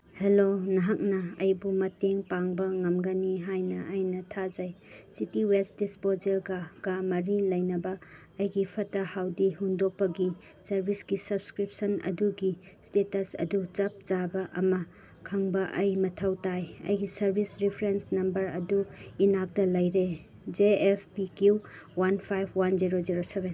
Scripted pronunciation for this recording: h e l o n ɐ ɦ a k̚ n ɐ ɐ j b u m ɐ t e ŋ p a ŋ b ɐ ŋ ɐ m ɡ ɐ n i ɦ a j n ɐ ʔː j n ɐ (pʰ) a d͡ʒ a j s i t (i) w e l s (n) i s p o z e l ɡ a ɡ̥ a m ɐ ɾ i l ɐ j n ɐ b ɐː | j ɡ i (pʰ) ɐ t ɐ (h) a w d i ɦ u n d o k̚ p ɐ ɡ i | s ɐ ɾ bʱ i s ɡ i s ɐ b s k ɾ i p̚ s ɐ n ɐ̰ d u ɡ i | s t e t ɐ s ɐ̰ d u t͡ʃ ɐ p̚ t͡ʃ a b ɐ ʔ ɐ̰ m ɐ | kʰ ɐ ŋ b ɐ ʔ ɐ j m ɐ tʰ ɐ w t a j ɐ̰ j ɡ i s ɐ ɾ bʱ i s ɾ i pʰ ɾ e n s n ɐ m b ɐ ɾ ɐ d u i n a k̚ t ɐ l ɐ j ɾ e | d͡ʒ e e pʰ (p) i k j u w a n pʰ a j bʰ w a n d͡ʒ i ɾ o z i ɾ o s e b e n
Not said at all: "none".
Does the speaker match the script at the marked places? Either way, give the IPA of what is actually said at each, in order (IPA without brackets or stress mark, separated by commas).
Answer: tʰ, i, d, pʰ, h, p